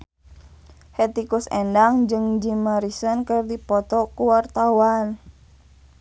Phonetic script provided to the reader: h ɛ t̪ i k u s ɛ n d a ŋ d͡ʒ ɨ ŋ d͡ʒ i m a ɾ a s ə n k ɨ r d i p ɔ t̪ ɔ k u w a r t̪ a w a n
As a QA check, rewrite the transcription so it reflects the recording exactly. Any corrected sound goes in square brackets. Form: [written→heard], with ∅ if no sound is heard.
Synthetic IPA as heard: h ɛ t̪ i k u s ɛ n d a ŋ d͡ʒ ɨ ŋ d͡ʒ i m a ɾ [a→i] s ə n k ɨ r d i p ɔ t̪ ɔ k u w a r t̪ a w a n